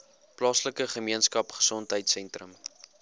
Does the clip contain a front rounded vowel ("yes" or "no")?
no